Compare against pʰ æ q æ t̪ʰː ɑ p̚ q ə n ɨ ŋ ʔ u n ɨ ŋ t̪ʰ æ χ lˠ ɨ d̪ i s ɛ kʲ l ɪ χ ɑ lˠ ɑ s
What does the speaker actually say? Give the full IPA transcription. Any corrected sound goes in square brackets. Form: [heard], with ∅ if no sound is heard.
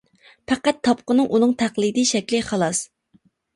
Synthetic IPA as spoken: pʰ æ q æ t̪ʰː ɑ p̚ q ə n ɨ ŋ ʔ u n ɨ ŋ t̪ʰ æ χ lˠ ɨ d̪ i [ʃ] ɛ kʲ l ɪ χ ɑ lˠ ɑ s